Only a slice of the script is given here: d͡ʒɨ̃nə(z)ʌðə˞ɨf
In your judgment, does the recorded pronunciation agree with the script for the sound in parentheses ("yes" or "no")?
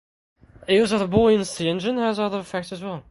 yes